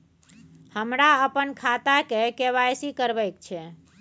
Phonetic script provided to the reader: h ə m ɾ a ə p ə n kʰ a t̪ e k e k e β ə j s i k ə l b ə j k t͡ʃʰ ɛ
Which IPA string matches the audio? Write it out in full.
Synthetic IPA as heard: h ə m ɾ a ə p ə n kʰ a t̪ a k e k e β a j s i k ə ɾ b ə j k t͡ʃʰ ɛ